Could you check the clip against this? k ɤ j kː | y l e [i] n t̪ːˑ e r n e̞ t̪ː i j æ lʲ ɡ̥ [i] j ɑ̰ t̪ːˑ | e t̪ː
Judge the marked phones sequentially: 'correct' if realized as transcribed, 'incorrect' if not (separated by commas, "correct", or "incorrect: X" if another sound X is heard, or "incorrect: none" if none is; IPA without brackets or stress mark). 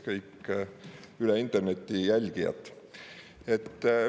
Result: correct, correct